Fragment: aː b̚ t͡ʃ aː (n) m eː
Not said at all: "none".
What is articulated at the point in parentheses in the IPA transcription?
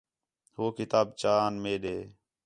n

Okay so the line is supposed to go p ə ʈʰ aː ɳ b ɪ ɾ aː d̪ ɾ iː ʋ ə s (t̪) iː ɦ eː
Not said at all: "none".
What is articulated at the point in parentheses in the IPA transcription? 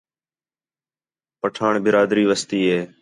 t̪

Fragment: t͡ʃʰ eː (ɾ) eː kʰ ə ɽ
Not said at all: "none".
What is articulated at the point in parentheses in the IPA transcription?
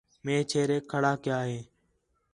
ɾ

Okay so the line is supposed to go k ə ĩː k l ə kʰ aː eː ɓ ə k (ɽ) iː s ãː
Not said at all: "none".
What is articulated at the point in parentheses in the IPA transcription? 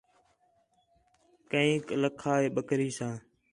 ɾ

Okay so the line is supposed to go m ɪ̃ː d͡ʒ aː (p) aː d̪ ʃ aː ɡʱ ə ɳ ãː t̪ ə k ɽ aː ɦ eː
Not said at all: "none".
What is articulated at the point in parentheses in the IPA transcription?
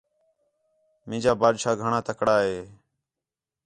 b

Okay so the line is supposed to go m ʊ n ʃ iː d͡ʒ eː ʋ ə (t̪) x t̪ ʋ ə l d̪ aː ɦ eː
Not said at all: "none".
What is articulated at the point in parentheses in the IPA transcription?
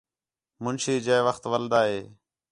none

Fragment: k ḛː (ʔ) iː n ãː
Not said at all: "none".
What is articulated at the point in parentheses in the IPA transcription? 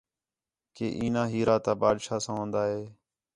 ʔ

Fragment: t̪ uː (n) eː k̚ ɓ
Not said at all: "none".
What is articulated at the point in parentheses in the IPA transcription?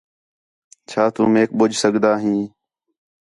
m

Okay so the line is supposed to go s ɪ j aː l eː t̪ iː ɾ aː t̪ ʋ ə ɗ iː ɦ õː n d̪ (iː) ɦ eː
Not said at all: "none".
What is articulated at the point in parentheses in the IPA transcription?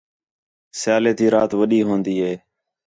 iː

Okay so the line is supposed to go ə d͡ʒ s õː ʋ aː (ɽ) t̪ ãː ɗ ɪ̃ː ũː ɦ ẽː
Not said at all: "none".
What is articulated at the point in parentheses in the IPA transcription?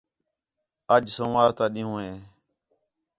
ɾ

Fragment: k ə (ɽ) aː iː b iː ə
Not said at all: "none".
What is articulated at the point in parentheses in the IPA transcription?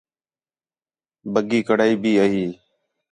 ɽ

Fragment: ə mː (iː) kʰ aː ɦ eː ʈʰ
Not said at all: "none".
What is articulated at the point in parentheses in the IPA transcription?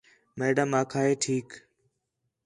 aː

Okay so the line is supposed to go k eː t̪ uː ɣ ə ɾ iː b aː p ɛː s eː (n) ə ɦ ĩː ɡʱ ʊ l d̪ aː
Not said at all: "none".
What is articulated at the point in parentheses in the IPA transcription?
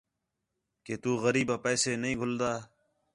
n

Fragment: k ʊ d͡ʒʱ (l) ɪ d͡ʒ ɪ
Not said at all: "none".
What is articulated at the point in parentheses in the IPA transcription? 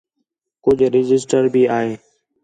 ɾ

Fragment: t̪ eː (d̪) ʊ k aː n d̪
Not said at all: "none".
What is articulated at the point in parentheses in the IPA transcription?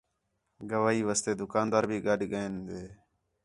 d̪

